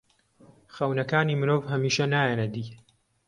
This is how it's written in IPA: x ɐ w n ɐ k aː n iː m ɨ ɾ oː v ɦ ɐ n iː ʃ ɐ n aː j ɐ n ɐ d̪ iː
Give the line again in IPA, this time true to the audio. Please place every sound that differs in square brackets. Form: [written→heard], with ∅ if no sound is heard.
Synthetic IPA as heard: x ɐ w n ɐ k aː n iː m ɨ ɾ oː v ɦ ɐ [n→m] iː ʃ ɐ n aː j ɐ n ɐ d̪ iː